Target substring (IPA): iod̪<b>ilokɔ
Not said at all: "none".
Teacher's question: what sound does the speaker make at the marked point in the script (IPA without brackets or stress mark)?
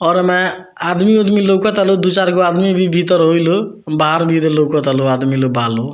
m